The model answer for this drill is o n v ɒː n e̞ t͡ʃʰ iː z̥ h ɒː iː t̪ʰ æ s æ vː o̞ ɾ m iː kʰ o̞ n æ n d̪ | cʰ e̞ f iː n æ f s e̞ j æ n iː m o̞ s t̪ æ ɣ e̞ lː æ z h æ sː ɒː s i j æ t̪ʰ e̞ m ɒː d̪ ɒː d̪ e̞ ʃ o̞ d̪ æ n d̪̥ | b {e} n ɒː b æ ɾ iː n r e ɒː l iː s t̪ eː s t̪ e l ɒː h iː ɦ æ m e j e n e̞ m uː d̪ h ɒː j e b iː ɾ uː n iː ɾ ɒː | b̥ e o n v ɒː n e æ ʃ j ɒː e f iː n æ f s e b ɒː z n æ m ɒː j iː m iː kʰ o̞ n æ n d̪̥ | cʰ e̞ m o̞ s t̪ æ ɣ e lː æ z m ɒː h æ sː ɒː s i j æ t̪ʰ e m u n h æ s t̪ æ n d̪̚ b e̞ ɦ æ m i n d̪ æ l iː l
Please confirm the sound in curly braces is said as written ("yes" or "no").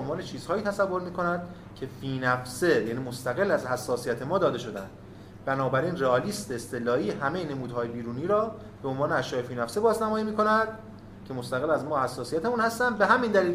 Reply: no